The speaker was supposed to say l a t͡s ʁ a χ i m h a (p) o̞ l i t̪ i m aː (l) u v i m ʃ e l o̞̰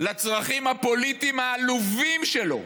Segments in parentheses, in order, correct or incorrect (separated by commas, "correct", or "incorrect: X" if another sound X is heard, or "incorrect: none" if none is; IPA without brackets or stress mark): correct, correct